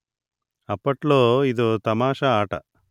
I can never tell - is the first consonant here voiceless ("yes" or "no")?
yes